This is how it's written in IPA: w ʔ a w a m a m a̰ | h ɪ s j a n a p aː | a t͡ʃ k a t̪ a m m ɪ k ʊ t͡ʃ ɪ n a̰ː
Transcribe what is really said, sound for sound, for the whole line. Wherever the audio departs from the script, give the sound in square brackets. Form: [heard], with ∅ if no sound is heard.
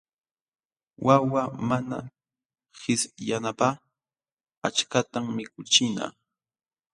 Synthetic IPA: w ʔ a w a m a [n] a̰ | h ɪ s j a n a p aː | a t͡ʃ k a t̪ a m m ɪ k ʊ t͡ʃ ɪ n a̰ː